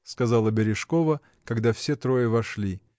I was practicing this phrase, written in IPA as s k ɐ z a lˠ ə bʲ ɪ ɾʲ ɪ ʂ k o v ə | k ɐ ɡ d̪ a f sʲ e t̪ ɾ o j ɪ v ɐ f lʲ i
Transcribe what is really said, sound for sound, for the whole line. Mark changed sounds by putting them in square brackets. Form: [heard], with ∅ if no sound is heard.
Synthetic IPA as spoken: s k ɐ z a lˠ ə bʲ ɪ ɾʲ ɪ ʂ k o v ə | k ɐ ɡ d̪ a f sʲ e t̪ ɾ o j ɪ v ɐ [ʂ] lʲ i